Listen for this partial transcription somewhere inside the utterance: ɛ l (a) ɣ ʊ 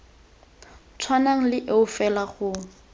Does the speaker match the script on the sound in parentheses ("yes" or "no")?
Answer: yes